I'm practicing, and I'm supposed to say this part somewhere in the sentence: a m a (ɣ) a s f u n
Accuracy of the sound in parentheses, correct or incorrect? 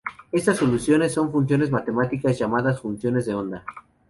incorrect